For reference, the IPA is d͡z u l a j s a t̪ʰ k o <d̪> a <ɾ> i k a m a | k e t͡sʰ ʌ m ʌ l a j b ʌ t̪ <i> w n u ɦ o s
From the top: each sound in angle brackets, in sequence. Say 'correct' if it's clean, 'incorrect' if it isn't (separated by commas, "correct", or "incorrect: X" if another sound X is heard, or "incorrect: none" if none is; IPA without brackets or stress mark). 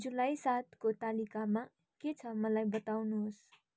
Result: incorrect: t̪, incorrect: l, incorrect: a